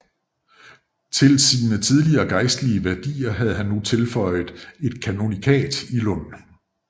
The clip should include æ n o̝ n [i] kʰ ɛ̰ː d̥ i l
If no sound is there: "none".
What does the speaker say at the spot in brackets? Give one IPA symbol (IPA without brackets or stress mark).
i